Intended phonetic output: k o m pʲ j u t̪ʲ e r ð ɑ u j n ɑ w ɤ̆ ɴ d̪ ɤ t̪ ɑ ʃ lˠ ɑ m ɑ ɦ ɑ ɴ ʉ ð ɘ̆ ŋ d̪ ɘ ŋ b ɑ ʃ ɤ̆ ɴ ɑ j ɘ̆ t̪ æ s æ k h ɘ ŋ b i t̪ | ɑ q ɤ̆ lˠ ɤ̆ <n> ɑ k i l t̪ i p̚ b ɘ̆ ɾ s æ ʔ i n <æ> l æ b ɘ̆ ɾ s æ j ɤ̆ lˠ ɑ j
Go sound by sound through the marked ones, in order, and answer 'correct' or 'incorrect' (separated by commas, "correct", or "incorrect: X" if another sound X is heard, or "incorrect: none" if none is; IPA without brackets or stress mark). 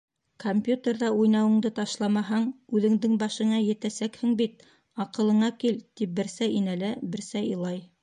incorrect: ɴ, correct